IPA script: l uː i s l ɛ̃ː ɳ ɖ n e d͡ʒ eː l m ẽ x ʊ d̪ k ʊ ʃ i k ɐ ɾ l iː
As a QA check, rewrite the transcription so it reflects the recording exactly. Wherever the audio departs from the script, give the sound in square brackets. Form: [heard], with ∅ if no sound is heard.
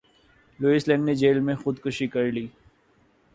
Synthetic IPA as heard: l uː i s l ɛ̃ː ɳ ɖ n e d͡ʒ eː l m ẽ x ʊ d̪ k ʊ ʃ i k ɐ ɾ l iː